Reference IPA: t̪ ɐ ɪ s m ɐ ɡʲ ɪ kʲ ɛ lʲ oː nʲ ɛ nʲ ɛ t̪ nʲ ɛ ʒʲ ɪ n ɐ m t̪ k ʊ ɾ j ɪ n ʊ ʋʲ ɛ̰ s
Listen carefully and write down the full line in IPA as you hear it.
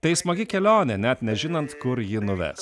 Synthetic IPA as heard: t̪ ɐ ɪ s m ɐ ɡʲ ɪ kʲ ɛ lʲ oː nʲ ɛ nʲ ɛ t̪ nʲ ɛ ʒʲ ɪ n ɐ n t̪ k ʊ ɾ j ɪ n ʊ ʋʲ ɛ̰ s